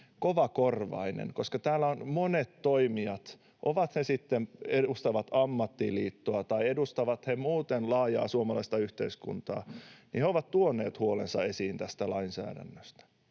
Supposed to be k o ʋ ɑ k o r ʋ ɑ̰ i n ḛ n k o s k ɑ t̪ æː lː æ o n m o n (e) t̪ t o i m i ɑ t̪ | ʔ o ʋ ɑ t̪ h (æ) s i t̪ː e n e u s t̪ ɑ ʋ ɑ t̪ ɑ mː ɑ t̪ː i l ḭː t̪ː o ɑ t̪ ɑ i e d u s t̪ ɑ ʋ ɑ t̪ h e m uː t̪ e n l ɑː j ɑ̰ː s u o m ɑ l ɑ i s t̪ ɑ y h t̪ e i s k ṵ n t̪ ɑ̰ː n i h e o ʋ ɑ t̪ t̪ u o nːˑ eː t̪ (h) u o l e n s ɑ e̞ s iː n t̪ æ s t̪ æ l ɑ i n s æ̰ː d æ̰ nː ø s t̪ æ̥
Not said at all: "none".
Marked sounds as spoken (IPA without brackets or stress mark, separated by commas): e, e, h